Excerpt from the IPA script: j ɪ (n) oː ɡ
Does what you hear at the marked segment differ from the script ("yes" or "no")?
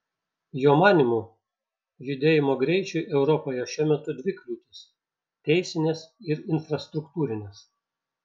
yes